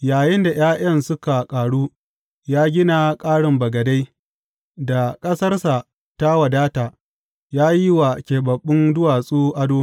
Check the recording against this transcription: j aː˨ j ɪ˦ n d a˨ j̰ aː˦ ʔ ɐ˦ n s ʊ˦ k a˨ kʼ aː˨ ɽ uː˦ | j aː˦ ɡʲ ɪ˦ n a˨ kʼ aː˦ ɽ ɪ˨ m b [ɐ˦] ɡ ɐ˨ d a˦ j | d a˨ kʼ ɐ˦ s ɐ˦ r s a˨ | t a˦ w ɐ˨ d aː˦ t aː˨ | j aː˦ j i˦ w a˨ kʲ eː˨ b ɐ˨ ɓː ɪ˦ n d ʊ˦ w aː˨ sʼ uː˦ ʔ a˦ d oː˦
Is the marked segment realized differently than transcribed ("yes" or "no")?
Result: yes